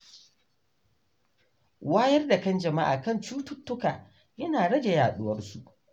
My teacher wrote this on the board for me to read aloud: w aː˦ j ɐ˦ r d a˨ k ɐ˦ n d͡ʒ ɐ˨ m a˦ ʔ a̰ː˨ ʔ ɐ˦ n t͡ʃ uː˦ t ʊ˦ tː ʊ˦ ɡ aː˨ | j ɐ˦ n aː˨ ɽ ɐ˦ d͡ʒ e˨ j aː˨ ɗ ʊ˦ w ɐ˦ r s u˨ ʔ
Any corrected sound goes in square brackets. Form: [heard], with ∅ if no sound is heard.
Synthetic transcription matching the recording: w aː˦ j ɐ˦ r d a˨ k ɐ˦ n d͡ʒ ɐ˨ m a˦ ʔ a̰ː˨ [k] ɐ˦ n t͡ʃ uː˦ t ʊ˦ tː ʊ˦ [k] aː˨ | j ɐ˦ n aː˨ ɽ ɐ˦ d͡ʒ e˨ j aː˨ ɗ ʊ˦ w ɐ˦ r s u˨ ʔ

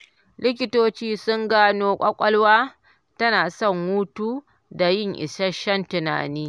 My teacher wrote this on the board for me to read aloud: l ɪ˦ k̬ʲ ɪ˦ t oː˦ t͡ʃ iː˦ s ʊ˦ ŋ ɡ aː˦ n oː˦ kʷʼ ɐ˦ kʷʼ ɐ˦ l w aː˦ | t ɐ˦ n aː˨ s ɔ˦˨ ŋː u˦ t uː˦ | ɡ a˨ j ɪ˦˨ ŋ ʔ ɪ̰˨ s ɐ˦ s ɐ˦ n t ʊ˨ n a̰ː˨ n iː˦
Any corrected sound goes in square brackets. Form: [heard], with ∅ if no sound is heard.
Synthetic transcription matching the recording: l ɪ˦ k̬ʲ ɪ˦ t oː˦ t͡ʃ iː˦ s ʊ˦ ŋ ɡ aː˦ n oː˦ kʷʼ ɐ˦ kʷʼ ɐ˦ l w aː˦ | t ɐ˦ n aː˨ s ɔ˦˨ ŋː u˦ t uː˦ | [d] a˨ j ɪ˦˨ ŋ ʔ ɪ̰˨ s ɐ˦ [ʃ] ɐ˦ n t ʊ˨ n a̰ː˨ n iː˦

